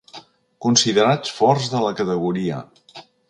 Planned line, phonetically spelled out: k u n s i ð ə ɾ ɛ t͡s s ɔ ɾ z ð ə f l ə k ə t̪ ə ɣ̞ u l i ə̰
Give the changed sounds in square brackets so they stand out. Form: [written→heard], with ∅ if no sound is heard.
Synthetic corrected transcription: k u n s i ð ə ɾ [ɛ→a] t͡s [s→f] ɔ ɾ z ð ə [f→∅] l ə k ə t̪ ə ɣ̞ u [l→ɾ] i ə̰